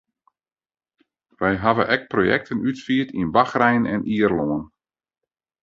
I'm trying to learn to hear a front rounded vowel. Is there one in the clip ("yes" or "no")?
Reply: yes